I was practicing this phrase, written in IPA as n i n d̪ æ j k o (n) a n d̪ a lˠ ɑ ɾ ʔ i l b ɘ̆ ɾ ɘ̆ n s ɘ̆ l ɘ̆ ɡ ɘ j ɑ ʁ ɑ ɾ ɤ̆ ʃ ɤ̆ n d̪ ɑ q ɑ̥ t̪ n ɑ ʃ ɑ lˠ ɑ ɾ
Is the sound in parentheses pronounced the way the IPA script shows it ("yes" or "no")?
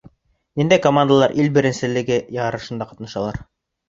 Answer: no